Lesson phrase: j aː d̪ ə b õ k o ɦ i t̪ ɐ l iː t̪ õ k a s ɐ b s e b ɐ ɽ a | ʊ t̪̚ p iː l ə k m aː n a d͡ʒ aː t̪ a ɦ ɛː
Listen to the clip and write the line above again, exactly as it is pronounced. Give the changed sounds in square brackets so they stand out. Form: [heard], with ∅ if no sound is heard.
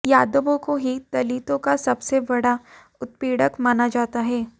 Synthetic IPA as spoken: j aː d̪ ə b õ k o ɦ i t̪ ɐ l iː t̪ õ k a s ɐ b s e b ɐ ɽ a | ʊ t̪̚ p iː [ɽ] ə k m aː n a d͡ʒ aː t̪ a ɦ ɛː